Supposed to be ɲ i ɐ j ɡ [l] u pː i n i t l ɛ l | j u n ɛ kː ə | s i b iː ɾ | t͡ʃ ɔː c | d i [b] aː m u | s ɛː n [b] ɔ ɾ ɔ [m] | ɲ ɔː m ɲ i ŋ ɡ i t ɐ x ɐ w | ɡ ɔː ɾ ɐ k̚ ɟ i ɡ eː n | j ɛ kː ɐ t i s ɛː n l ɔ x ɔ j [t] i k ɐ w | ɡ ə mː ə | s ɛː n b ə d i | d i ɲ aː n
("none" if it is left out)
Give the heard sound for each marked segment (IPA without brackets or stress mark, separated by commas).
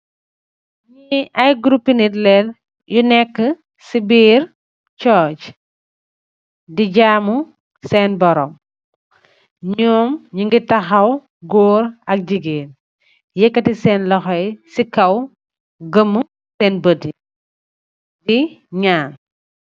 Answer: ɾ, ɟ, b, m, s